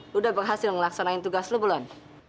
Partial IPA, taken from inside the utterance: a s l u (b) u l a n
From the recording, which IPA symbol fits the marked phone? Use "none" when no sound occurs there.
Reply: b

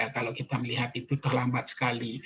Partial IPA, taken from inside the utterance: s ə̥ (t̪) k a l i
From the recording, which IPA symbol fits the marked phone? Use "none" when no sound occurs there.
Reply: none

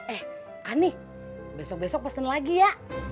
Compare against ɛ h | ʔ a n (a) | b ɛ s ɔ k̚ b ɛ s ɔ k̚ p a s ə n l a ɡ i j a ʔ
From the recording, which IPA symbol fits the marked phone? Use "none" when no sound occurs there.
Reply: i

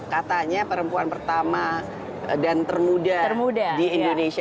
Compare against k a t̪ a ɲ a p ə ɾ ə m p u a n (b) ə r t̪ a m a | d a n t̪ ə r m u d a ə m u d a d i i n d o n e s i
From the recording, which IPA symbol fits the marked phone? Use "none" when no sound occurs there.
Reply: p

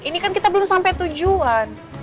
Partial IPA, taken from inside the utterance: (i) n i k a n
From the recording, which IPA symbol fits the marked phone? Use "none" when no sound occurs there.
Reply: i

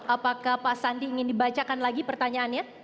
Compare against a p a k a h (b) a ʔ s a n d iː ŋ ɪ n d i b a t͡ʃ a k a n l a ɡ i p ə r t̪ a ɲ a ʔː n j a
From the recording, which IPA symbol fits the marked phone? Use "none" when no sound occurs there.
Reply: p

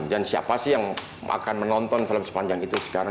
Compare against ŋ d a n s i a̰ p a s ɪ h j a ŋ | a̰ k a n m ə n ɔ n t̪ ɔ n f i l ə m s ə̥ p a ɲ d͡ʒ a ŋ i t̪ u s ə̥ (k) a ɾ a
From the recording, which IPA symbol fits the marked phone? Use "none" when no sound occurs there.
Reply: k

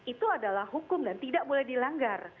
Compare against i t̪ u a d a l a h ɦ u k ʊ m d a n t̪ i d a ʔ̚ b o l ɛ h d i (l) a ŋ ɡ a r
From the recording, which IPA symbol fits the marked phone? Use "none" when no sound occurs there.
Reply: l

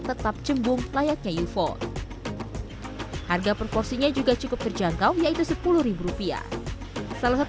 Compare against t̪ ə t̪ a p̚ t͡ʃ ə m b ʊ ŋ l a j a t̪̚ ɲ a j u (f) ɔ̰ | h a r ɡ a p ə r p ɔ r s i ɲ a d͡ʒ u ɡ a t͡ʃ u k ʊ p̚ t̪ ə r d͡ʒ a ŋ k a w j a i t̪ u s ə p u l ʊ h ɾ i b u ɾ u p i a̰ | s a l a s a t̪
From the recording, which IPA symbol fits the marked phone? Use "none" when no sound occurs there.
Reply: f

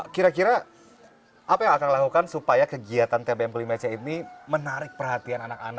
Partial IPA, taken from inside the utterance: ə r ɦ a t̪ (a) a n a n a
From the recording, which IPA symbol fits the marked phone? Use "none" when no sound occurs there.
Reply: i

